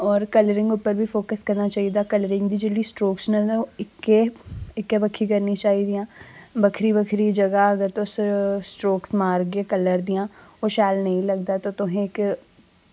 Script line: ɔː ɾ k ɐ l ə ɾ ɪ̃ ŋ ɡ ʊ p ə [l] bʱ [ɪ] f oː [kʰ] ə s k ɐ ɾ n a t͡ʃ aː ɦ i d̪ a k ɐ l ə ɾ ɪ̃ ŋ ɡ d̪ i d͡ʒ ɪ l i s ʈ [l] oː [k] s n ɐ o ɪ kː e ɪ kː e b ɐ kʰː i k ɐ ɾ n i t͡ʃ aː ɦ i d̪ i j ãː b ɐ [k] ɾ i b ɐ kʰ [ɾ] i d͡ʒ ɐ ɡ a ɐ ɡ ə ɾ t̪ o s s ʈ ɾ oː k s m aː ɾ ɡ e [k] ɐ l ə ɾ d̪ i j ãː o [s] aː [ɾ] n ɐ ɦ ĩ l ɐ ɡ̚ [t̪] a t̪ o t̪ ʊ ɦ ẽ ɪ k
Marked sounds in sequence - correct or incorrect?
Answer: incorrect: ɾ, incorrect: i, incorrect: k, incorrect: ɾ, correct, incorrect: kʰ, correct, correct, incorrect: ʃ, incorrect: l, incorrect: d̪

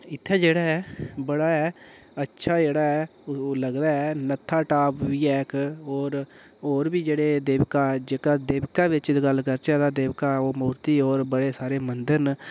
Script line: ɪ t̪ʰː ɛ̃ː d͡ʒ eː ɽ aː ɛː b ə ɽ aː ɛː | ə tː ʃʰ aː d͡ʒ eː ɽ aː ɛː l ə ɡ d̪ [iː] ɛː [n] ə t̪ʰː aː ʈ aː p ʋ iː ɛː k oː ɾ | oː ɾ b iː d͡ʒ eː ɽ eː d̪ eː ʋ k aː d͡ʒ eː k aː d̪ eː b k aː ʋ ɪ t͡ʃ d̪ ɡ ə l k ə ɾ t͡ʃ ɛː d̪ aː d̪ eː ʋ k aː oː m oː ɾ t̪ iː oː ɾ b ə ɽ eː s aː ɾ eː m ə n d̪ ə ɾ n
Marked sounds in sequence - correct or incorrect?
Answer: incorrect: aː, correct

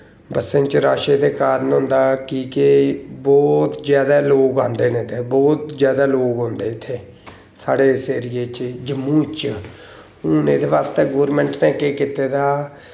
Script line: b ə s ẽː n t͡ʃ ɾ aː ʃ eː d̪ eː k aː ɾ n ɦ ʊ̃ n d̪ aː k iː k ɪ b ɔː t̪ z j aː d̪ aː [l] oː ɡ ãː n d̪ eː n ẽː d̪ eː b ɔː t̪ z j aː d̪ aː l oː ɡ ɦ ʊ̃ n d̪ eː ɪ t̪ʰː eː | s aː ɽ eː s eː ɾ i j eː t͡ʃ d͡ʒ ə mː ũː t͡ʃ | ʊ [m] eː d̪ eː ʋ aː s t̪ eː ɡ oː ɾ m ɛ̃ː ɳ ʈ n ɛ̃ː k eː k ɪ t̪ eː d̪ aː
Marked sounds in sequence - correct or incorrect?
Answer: correct, incorrect: n

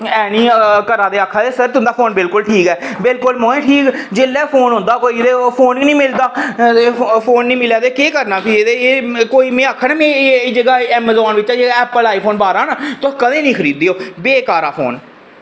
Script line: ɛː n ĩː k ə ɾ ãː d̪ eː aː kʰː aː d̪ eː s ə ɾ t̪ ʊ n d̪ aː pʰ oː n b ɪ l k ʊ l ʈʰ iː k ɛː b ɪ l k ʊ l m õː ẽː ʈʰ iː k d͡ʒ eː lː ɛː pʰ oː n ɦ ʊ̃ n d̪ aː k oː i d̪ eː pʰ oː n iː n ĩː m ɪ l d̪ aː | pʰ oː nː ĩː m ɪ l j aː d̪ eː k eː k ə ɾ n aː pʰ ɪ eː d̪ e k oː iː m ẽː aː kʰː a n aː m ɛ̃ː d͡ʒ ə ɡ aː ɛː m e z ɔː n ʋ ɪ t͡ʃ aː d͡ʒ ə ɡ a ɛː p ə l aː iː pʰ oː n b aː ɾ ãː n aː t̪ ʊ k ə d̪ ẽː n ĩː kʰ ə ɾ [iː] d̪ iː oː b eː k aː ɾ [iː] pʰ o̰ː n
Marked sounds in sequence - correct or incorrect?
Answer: correct, incorrect: aː

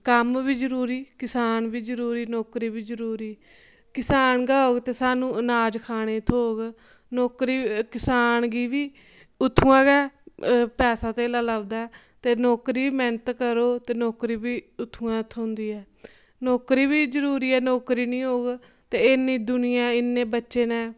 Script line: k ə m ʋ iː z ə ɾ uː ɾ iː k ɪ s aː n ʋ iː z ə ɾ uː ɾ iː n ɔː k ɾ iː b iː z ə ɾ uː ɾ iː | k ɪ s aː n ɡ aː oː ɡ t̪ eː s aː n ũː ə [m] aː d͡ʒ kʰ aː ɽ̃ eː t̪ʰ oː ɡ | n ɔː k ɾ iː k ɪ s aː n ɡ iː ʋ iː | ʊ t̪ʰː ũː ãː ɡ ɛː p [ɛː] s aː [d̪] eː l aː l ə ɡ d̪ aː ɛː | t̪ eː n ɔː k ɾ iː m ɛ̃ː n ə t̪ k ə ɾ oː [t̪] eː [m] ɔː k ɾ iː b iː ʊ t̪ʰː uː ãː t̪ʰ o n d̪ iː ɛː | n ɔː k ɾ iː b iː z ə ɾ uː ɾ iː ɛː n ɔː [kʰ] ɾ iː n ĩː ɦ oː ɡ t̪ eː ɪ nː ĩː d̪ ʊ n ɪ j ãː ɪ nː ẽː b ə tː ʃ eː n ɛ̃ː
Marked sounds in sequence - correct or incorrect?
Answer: incorrect: n, correct, incorrect: t̪, correct, incorrect: n, incorrect: k

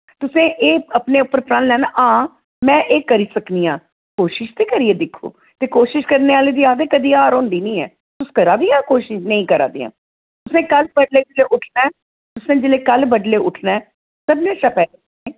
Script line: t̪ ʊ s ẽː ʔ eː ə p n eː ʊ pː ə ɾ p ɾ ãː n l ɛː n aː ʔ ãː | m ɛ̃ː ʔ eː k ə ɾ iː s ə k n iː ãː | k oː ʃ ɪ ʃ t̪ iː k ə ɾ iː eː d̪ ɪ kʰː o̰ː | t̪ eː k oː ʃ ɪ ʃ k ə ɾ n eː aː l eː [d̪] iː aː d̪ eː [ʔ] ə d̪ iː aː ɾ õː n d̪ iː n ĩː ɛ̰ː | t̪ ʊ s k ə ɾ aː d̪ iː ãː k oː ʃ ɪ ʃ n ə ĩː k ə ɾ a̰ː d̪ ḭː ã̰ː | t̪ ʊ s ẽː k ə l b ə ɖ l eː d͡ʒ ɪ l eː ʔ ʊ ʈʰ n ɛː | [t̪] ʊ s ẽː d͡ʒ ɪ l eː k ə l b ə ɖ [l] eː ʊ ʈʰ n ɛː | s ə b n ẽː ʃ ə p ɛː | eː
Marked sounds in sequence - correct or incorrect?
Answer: correct, incorrect: k, correct, correct

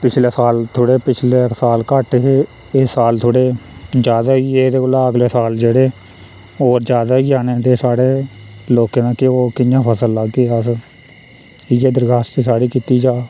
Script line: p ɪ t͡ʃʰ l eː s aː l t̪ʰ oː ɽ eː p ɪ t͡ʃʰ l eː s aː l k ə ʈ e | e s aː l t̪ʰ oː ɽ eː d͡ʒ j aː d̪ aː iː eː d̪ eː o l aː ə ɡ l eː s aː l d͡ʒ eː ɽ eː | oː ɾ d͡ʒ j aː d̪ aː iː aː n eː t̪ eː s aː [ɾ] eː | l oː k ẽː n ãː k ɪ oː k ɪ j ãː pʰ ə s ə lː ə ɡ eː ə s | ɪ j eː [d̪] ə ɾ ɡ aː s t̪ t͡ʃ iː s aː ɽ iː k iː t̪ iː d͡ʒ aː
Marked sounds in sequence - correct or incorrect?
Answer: incorrect: ɽ, correct

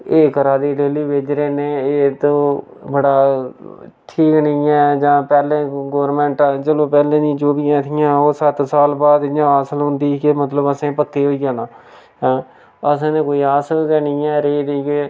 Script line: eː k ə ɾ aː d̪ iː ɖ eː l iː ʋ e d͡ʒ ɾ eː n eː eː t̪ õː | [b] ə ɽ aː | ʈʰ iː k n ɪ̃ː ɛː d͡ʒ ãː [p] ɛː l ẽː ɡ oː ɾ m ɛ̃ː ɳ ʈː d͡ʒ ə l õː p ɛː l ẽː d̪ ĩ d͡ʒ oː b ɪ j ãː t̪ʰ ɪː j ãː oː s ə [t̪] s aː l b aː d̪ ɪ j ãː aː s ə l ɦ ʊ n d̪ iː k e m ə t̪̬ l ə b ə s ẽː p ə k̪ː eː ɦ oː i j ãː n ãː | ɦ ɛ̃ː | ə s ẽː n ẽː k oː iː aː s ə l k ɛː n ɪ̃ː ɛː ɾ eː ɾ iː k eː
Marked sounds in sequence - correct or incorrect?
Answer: correct, correct, correct

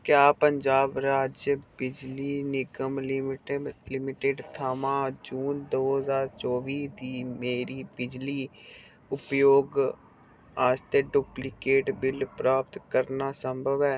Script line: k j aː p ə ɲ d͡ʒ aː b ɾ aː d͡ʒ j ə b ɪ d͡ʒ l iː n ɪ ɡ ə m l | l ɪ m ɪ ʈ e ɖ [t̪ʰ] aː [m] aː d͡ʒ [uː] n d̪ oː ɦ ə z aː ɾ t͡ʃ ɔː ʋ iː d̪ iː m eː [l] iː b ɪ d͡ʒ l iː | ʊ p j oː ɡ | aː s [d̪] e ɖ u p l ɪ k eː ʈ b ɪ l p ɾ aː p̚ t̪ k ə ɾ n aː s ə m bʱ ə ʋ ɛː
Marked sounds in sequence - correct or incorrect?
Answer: correct, correct, correct, incorrect: ɾ, incorrect: t̪

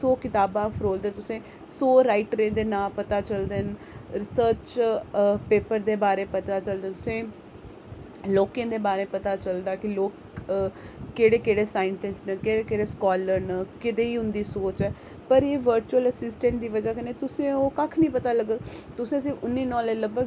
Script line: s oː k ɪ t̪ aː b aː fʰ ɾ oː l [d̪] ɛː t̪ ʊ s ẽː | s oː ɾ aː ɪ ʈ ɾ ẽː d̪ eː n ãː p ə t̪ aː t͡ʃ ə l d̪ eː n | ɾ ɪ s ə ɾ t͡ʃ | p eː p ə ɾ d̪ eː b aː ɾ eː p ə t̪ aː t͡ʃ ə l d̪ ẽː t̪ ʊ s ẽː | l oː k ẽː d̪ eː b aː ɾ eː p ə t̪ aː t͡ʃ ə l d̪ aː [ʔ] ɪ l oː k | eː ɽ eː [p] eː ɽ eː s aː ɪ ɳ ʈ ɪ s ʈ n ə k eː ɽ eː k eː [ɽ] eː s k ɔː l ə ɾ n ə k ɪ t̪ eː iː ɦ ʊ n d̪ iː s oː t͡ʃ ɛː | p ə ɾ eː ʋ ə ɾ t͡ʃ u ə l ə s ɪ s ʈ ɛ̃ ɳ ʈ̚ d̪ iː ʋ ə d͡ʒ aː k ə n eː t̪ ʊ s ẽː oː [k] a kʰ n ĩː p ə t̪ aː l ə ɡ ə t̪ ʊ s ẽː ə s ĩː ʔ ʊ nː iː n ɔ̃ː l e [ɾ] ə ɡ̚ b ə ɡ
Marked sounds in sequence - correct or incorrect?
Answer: correct, incorrect: k, incorrect: k, correct, correct, incorrect: l

